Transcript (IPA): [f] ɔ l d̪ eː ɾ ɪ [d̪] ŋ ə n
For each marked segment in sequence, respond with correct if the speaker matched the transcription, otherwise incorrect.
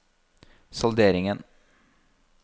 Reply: incorrect, incorrect

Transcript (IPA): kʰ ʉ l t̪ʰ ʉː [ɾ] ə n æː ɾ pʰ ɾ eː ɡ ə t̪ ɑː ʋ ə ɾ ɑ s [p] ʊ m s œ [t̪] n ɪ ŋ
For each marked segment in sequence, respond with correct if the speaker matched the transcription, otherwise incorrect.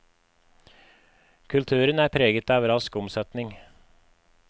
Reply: correct, incorrect, correct

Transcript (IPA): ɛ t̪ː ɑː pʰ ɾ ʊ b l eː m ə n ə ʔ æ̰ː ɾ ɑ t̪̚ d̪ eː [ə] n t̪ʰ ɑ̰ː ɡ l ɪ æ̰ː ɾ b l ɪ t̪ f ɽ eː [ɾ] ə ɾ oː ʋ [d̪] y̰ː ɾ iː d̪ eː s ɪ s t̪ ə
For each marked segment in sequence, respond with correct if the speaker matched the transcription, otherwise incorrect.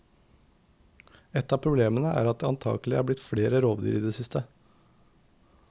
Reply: incorrect, correct, correct

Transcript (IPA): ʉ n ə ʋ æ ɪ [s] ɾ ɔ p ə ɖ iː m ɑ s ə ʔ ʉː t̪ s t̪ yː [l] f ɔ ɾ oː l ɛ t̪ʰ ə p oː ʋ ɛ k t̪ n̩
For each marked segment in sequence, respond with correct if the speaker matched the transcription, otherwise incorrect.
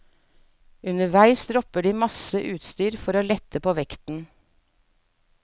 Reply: correct, incorrect

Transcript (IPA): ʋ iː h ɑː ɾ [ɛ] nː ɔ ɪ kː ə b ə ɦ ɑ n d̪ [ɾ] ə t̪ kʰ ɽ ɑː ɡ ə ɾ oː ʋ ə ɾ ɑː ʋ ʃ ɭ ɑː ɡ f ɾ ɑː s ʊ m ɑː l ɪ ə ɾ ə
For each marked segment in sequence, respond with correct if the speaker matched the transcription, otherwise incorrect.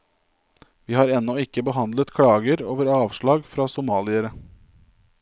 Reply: correct, incorrect

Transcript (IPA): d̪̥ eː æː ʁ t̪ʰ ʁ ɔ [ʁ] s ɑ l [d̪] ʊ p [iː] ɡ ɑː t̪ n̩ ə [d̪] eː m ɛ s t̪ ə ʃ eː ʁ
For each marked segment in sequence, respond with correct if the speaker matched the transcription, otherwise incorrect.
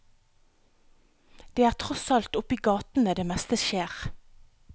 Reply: incorrect, incorrect, correct, correct

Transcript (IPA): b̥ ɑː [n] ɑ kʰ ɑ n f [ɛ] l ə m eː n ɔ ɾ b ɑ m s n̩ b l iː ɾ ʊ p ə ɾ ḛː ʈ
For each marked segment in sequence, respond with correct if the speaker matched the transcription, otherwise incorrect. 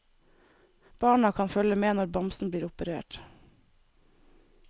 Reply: incorrect, incorrect

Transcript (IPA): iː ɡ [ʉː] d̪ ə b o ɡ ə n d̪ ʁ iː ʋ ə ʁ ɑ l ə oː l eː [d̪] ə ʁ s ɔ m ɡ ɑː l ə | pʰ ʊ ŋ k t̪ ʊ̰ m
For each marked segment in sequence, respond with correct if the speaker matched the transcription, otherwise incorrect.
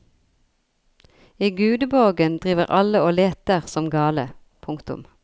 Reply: correct, incorrect

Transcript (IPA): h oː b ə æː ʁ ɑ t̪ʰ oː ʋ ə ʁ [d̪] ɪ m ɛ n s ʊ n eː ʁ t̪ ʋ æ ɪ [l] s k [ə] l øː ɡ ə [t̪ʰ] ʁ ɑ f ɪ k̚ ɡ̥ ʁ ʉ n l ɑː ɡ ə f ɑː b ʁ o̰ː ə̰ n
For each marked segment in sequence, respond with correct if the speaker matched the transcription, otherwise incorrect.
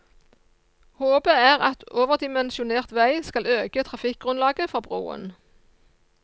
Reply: correct, incorrect, incorrect, correct

